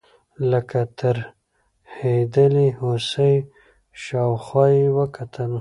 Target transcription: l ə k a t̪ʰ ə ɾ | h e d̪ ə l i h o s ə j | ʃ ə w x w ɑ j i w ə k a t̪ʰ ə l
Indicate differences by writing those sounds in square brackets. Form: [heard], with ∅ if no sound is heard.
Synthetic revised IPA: l ə k a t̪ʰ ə ɾ | h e d̪ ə l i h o s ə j | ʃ [ɑ] w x w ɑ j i w ə k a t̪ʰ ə l